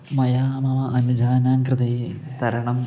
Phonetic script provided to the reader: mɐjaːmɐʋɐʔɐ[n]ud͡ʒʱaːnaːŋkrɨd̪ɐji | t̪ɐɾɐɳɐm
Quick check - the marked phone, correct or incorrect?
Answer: correct